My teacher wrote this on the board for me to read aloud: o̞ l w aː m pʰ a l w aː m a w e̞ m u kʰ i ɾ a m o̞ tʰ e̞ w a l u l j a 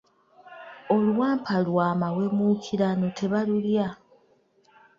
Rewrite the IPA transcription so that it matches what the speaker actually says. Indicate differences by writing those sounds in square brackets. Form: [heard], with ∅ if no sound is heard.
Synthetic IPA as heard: o̞ l w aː m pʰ a l w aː m a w e̞ m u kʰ i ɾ a [n] o̞ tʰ e̞ [β] a l u l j a

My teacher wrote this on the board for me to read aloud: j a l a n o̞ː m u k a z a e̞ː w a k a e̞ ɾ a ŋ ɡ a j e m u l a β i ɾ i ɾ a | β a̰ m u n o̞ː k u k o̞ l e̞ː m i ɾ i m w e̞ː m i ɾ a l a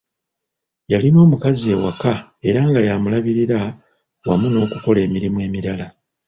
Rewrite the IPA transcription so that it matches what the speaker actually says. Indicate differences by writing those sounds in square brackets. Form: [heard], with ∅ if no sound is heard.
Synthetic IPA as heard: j a l [i] n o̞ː m u k a z [i] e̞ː w a k a e̞ ɾ a ŋ ɡ a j [a] m u l a β i ɾ i ɾ a | [w] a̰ m u n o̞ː k u k o̞ l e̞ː m i ɾ i m w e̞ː m i ɾ a l a

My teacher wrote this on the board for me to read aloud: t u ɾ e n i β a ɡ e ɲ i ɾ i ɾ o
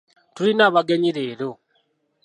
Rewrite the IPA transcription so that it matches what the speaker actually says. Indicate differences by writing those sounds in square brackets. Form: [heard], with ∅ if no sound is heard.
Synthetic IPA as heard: t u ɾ [i] n [a] β a ɡ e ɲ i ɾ [e] ɾ o

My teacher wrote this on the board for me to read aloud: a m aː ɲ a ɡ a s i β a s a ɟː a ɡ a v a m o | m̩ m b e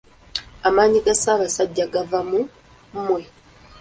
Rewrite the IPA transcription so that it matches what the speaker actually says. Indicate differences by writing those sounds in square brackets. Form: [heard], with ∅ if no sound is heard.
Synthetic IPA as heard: a m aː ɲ [i] ɡ a s [a] β a s a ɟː a ɡ a v a m [u] | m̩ m [w] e

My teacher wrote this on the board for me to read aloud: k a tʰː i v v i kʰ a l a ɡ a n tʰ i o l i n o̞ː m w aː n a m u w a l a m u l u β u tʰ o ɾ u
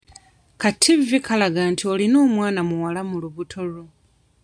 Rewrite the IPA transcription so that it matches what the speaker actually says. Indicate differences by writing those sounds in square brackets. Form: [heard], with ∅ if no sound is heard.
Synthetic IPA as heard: k a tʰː i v v i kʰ a l a ɡ a n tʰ i o l i n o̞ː m w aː n a m u w a l a m u l u β u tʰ o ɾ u

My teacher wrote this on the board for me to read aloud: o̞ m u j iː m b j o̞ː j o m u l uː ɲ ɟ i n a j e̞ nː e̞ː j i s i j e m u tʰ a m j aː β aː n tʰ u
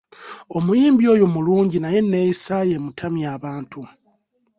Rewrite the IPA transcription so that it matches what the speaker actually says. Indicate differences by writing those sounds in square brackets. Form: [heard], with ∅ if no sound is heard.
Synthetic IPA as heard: o̞ m u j iː m b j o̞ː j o m u l uː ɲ ɟ i n a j e̞ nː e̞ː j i s [a] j e m u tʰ a m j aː β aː n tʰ u

